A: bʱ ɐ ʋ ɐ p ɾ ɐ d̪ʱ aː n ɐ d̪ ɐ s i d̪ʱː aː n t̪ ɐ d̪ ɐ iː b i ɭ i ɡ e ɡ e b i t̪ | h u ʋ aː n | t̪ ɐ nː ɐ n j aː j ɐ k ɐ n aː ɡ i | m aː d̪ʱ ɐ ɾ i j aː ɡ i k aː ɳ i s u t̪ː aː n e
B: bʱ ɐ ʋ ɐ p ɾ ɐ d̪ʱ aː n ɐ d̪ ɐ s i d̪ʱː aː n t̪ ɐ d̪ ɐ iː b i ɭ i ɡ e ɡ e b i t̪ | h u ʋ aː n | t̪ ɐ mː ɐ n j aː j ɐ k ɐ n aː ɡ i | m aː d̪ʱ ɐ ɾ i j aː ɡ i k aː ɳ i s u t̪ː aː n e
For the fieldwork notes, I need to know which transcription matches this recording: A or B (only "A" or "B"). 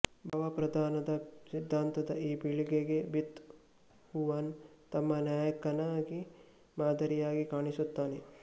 B